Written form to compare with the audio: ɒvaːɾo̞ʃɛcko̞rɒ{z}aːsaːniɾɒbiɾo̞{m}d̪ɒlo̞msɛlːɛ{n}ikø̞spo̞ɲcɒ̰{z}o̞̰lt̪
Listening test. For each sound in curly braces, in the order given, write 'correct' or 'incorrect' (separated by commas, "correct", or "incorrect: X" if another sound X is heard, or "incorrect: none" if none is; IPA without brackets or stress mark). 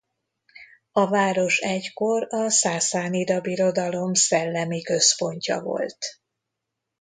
incorrect: s, incorrect: none, incorrect: m, incorrect: v